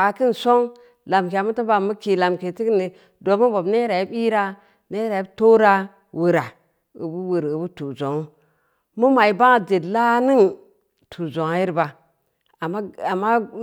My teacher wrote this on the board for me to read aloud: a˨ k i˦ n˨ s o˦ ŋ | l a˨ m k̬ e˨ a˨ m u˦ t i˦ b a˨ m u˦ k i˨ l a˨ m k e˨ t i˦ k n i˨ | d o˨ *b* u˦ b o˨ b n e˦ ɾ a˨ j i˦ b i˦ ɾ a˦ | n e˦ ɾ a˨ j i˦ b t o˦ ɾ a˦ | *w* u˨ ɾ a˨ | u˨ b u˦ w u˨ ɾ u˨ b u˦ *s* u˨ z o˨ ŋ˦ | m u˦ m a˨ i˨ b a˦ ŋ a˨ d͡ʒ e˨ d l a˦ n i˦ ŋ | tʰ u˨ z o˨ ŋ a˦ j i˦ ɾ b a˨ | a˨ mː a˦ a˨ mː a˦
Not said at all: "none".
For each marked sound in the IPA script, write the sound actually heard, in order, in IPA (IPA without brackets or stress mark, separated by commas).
m, w, t